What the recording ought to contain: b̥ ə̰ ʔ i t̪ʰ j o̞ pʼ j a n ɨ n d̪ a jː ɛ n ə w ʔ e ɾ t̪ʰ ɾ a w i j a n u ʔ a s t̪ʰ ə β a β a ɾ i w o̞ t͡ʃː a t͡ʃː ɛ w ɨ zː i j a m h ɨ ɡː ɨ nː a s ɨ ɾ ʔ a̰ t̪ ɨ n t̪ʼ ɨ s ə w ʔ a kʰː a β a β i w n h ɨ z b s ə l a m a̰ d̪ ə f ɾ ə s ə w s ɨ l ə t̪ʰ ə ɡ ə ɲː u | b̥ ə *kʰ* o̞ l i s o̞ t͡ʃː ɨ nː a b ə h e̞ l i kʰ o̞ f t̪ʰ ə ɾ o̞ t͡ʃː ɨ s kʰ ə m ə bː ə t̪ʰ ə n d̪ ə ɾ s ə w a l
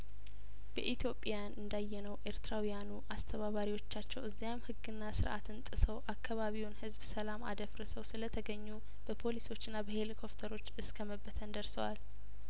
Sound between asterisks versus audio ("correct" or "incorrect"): incorrect